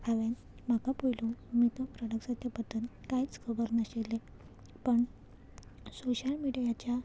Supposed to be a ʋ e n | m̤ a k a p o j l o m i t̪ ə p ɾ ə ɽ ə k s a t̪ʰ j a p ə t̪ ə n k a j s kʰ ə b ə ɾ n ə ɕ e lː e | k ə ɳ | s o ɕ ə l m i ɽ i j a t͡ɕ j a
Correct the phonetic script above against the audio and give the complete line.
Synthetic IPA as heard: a ʋ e n | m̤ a k a p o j l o m i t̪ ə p ɾ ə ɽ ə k s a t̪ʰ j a p ə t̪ ə n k a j t͡s kʰ ə b ə ɾ n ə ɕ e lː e | p ə ɳ | s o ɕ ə l m i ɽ i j a t͡ɕ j a